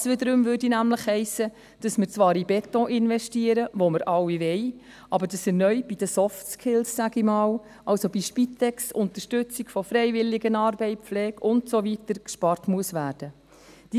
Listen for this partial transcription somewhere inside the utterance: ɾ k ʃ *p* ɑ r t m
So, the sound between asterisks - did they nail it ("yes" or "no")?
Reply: yes